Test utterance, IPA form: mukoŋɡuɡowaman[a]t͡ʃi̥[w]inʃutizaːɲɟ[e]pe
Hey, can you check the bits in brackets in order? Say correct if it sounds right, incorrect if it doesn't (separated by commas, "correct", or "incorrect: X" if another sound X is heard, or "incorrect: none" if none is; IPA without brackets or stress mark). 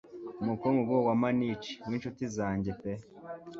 incorrect: i, correct, correct